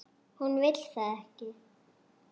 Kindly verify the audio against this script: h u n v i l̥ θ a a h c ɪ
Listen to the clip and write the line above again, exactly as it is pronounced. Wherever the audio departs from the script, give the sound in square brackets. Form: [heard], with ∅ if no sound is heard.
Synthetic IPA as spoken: h u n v [ɪ] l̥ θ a [ɛ] h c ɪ